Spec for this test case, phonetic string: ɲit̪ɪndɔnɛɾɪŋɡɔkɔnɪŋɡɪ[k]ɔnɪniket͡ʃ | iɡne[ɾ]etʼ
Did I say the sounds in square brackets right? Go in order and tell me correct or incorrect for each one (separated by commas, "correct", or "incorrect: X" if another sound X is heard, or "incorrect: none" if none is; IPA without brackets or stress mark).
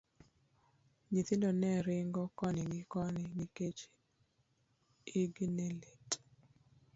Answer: correct, incorrect: l